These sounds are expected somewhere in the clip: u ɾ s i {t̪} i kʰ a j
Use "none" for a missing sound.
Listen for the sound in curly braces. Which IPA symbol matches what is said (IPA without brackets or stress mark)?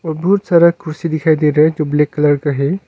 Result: d̪